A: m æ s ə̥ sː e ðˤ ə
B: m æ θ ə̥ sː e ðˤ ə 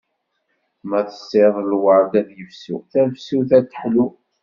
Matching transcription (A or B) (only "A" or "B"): B